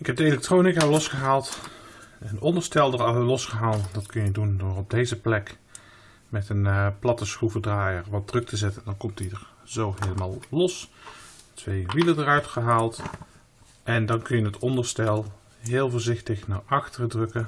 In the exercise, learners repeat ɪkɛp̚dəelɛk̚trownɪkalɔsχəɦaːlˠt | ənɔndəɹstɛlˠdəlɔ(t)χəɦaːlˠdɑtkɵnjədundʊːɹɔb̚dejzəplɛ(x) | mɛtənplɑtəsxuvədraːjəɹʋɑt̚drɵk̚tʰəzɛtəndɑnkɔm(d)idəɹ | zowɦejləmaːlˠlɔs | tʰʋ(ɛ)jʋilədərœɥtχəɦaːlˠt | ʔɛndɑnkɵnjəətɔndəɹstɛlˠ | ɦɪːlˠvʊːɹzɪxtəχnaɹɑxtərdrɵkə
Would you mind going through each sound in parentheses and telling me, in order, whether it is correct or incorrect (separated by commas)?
incorrect, incorrect, incorrect, incorrect